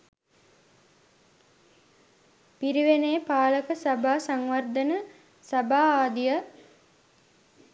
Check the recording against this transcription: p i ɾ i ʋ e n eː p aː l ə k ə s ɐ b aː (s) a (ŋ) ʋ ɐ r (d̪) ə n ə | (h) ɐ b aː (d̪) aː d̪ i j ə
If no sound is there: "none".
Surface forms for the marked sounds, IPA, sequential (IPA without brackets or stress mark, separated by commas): s, ŋ, d̪, s, none